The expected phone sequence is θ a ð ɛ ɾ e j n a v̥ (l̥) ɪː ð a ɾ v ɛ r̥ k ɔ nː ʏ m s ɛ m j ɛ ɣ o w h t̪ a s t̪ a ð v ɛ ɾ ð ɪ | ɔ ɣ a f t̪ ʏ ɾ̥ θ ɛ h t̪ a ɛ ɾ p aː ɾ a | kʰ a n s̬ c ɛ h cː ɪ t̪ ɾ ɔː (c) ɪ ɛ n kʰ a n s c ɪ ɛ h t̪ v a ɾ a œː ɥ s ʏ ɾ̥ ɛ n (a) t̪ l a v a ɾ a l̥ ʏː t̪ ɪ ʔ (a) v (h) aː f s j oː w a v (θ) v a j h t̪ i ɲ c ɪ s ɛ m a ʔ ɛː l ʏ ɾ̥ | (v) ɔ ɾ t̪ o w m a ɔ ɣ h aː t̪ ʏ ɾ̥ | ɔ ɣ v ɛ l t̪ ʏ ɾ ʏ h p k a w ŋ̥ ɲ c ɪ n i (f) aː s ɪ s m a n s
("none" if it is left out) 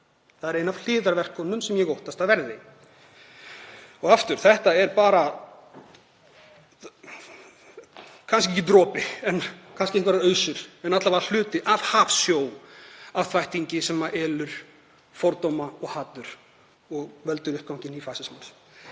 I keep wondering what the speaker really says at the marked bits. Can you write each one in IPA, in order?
l̥, p, a, a, h, θ, f, f

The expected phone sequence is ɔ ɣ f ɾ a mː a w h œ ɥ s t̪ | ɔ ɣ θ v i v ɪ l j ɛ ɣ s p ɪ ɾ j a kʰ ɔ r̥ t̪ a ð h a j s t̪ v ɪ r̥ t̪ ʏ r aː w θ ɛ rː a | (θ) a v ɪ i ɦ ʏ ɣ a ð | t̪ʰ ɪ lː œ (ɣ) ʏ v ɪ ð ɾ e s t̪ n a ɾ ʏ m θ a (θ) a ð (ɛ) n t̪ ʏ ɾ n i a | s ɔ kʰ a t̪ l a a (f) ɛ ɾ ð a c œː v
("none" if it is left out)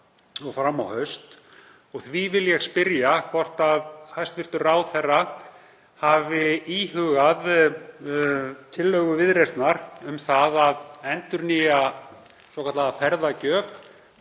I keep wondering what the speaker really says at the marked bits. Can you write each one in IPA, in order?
h, ɣ, ð, ɛ, f

